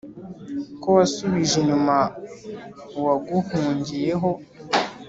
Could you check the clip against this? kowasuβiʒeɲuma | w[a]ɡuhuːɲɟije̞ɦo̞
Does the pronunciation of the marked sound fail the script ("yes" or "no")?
no